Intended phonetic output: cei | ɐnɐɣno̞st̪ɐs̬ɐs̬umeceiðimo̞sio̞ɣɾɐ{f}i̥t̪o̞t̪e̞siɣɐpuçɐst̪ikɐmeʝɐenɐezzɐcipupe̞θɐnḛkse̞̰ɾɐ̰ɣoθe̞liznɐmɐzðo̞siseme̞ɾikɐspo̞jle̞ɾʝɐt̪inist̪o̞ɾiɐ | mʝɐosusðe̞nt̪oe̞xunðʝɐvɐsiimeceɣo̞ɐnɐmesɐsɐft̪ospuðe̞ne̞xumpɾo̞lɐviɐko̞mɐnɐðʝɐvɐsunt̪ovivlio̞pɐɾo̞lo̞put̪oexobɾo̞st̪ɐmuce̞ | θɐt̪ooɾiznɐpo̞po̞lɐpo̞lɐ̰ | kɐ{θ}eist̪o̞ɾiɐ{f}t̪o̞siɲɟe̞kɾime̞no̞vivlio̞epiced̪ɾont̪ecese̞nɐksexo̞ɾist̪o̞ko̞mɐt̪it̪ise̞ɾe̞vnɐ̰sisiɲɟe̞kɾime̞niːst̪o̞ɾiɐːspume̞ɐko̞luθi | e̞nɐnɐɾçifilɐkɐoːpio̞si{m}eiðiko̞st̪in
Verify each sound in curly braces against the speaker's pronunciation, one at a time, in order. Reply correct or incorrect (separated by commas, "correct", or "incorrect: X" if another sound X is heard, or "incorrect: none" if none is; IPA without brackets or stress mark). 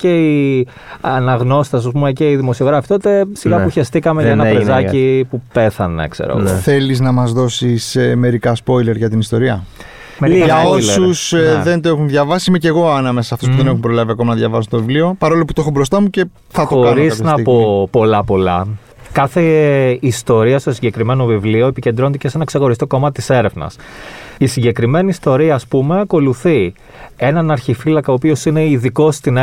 correct, correct, incorrect: s, incorrect: n